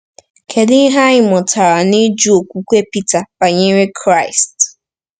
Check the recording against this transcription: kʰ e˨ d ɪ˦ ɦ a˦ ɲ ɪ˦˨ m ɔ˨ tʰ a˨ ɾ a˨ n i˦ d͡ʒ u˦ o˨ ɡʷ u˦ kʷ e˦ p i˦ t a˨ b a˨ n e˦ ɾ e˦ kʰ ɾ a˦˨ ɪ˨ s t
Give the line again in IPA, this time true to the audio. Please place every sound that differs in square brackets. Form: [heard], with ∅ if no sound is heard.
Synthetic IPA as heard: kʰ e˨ d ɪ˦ ɦ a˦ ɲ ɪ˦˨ m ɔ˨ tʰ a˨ ɾ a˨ n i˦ d͡ʒ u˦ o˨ [kʷ] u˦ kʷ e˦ p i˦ t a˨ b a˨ [ɲ] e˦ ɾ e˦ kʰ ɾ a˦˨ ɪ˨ s t